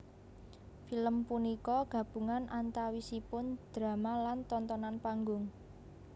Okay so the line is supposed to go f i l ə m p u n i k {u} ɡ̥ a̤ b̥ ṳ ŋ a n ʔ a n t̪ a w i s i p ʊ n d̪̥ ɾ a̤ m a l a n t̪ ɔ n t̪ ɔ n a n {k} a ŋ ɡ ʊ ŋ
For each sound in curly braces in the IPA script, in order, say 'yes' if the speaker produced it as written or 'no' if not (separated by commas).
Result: no, no